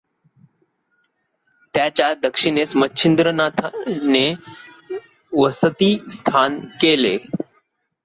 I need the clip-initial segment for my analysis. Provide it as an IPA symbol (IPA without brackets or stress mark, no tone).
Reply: t̪